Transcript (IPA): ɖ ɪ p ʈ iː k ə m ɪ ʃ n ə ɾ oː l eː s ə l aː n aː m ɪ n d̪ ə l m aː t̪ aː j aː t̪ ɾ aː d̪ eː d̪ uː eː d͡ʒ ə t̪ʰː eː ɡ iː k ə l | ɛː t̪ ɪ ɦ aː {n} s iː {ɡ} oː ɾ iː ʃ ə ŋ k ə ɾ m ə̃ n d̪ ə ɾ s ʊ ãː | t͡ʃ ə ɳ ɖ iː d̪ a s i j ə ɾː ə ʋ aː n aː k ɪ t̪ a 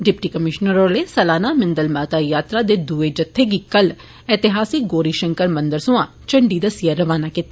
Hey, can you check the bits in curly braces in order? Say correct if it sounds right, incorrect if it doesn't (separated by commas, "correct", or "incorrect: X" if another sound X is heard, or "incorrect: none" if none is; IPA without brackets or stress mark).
incorrect: none, correct